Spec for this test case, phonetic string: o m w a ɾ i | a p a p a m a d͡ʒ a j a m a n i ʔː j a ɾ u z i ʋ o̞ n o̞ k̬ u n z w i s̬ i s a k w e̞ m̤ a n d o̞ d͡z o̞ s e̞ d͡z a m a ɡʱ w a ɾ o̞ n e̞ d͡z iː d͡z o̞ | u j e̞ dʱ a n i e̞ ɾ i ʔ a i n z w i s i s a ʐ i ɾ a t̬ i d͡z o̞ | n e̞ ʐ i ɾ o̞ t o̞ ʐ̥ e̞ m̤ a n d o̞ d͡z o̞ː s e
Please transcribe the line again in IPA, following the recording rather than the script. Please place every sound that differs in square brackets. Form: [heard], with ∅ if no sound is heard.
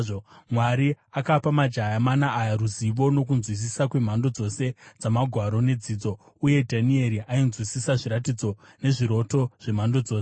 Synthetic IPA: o m w a ɾ i | a [k] a p a m a d͡ʒ a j a m a n [a] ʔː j a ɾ u z i ʋ o̞ n o̞ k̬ u n z w i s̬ i s a k w e̞ m̤ a n d o̞ d͡z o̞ s e̞ d͡z a m a ɡʱ w a ɾ o̞ n e̞ d͡z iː d͡z o̞ | u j e̞ dʱ a n i e̞ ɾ i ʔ a i n z w i s i s a ʐ i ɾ a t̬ i d͡z o̞ | n e̞ ʐ i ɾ o̞ t o̞ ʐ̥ e̞ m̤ a n d o̞ d͡z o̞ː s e